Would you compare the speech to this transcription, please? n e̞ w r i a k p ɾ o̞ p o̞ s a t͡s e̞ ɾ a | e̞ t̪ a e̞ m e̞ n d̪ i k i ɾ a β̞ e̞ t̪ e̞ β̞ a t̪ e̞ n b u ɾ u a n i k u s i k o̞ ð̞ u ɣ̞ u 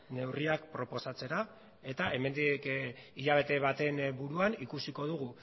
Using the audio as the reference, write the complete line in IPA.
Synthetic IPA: n e̞ w r i a k p ɾ o̞ p o̞ s a t͡s e̞ ɾ a | e̞ t̪ a e̞ m e̞ n d̪ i k i ʎ a β̞ e̞ t̪ e̞ β̞ a t̪ e̞ n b u ɾ u a n i k u s i k o̞ ð̞ u ɣ̞ u